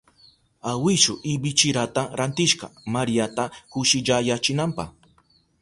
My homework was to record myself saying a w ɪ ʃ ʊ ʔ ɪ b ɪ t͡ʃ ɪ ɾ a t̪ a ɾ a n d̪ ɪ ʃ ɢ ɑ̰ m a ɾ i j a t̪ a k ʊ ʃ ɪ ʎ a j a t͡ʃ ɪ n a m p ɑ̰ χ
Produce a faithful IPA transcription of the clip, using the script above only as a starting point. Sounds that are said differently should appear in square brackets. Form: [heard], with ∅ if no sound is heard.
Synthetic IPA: a w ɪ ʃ ʊ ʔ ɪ b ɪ t͡ʃ ɪ ɾ a t̪ a ɾ a n [t̪] ɪ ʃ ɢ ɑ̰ m a ɾ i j a t̪ a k ʊ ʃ ɪ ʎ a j a t͡ʃ ɪ n a m p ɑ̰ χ

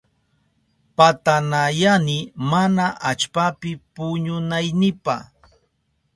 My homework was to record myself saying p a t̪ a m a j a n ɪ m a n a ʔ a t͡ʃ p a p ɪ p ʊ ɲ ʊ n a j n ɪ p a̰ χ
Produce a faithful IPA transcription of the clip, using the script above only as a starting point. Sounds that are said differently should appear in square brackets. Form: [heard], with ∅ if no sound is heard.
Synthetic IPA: p a t̪ a [n] a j a n ɪ m a n a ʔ a t͡ʃ p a p ɪ p ʊ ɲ ʊ n a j n ɪ p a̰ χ

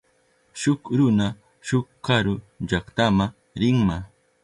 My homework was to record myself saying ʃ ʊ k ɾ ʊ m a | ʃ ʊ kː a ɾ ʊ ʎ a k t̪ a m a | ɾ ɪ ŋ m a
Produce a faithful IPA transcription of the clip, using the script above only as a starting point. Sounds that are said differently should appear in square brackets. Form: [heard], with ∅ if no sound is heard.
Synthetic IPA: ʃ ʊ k ɾ ʊ [n] a | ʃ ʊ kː a ɾ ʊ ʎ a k t̪ a m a | ɾ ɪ ŋ m a

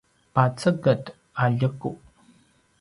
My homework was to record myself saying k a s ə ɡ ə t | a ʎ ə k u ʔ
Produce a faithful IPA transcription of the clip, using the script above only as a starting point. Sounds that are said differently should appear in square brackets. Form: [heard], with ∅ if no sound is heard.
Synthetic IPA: [p] a [t͡s] ə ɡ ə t | a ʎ ə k u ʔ

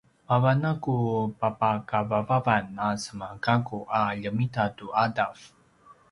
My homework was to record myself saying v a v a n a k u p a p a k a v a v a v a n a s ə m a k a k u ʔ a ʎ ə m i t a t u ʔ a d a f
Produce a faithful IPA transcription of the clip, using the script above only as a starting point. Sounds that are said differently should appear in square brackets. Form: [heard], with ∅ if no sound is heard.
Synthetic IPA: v a v a n a k u p a p a k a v a v a v a n a s ə m a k a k u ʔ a ʎ ə m i t a t u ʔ a d a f

